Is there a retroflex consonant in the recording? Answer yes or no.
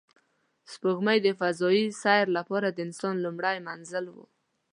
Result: yes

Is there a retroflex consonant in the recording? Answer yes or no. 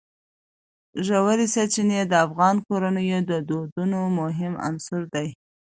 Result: no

